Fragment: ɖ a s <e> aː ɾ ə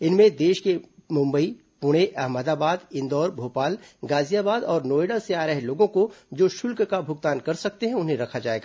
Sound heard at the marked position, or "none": e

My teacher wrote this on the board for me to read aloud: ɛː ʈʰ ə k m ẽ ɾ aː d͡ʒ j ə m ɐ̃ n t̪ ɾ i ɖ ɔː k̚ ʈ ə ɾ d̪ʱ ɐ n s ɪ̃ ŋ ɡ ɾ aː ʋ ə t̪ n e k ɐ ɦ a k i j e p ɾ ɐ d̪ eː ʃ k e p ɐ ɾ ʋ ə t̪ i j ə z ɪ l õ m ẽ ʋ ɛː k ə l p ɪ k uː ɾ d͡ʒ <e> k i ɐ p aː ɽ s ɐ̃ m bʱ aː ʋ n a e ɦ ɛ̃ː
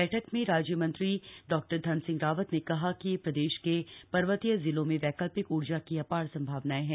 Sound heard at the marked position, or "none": a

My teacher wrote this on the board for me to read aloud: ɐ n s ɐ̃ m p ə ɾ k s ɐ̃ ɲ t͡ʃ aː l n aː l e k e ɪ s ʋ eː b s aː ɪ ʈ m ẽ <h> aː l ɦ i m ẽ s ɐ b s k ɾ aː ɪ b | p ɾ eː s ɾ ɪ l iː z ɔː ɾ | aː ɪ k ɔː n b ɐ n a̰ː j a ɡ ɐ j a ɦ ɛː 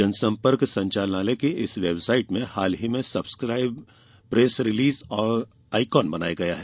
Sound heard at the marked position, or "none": h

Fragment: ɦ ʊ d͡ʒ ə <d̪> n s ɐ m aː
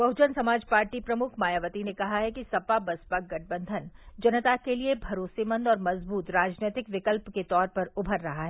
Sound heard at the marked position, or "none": none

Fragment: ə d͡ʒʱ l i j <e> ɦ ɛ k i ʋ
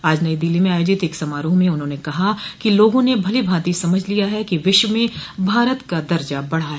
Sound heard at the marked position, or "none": a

